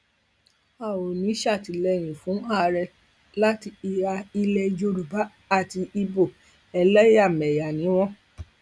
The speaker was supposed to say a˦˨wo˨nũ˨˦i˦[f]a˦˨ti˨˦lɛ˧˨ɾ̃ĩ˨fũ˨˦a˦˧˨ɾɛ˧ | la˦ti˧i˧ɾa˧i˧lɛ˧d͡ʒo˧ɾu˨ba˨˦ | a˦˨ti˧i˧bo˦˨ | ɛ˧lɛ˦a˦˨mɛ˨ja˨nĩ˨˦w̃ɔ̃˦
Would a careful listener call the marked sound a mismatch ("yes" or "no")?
yes